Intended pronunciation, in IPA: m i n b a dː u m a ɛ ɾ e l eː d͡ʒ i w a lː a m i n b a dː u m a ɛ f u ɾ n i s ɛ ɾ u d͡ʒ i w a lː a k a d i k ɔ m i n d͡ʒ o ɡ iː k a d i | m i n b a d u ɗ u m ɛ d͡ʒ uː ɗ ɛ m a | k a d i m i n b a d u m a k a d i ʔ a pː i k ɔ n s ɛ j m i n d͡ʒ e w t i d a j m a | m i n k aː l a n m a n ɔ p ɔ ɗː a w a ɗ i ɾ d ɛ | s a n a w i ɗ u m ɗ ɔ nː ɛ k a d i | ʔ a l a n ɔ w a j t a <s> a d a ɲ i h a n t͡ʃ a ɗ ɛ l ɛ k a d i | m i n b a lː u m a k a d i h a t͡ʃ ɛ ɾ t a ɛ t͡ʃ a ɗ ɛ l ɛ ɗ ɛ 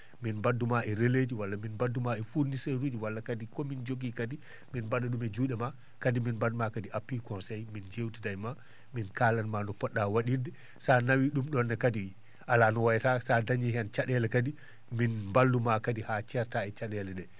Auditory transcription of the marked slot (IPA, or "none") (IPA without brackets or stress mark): s